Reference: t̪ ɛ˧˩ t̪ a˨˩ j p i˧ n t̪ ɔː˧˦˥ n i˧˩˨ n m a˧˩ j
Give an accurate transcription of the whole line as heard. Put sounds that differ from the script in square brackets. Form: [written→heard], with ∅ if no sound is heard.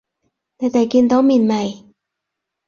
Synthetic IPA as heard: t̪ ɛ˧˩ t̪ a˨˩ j [p→k] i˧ n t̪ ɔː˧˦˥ [n→m] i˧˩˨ n m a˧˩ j